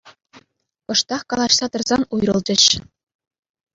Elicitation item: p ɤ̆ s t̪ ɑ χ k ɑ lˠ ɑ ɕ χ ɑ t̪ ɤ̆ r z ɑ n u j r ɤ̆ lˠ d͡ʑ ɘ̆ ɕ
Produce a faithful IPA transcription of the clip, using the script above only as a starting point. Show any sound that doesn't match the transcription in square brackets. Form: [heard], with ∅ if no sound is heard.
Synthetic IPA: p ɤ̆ [ʂ] t̪ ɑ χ k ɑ lˠ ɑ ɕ [s] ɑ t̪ ɤ̆ r z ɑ n u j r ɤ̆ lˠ d͡ʑ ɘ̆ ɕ